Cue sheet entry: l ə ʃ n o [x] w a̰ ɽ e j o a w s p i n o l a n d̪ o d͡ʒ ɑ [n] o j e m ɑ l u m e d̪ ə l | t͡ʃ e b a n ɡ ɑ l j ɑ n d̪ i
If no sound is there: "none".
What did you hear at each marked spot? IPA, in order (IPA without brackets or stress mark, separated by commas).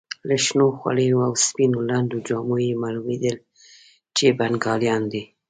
x, m